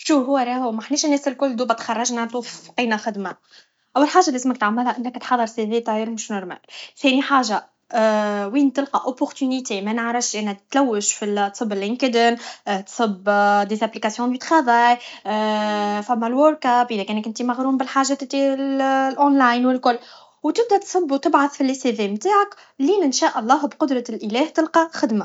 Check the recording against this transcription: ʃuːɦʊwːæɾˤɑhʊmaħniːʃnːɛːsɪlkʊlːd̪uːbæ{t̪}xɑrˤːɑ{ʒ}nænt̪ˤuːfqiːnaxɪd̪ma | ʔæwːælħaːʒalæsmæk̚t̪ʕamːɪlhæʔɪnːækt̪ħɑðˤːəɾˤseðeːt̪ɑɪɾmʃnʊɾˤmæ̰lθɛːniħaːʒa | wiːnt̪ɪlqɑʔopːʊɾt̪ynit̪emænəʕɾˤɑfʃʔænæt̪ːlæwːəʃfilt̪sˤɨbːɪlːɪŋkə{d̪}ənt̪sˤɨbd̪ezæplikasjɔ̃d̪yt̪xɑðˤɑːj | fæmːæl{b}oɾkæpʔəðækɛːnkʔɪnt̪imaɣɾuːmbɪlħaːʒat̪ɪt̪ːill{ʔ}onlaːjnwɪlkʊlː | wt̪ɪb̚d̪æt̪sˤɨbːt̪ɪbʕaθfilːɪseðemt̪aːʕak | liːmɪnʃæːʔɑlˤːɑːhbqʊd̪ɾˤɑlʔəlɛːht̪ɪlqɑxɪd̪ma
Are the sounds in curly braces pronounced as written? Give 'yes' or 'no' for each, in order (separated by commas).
yes, yes, yes, no, yes